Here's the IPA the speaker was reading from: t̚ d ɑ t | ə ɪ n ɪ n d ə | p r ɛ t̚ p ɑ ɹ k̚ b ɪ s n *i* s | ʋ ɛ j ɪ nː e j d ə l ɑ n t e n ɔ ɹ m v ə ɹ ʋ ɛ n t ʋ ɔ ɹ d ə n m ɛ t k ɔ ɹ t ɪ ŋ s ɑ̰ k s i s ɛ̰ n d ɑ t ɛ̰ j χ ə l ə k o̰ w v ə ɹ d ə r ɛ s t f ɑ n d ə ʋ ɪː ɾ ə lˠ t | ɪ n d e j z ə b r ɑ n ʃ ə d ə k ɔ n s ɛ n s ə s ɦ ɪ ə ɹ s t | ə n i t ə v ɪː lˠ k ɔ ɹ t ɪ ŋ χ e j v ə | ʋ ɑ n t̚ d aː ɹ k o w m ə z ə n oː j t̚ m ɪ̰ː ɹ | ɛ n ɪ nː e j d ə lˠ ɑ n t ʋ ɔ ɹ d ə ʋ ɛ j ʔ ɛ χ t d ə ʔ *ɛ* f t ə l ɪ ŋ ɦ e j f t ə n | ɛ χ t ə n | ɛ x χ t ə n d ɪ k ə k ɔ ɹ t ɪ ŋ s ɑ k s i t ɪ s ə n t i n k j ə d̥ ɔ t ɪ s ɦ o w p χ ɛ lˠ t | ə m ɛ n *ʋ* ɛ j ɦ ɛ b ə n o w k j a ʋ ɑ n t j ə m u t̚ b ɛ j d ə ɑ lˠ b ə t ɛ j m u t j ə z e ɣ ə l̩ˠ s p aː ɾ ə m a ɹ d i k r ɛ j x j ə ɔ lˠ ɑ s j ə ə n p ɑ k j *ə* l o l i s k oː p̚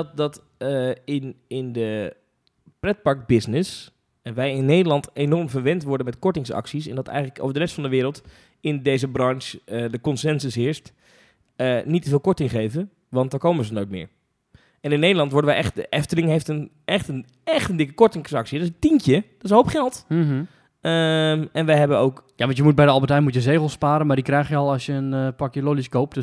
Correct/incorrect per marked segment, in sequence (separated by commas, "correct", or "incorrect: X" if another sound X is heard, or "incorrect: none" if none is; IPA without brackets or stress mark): incorrect: ɪ, correct, correct, correct